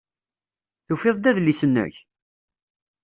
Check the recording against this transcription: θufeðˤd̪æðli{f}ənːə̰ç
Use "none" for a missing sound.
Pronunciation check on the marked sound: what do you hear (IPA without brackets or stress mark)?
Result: s